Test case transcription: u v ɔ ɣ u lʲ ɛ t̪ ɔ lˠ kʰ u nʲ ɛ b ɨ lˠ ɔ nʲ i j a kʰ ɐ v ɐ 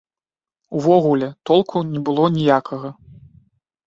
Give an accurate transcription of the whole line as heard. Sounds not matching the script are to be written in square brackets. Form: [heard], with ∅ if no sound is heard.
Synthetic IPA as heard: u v ɔ ɣ u lʲ ɛ t̪ ɔ lˠ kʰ u nʲ ɛ b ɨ lˠ ɔ nʲ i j a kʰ ɐ [ɣ] ɐ